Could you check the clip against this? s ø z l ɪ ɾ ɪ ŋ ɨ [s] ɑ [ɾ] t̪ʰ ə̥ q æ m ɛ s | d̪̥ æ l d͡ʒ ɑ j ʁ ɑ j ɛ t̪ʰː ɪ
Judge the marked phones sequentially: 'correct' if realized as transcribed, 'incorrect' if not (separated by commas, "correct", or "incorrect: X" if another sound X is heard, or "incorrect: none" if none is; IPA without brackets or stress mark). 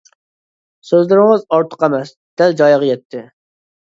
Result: incorrect: z, correct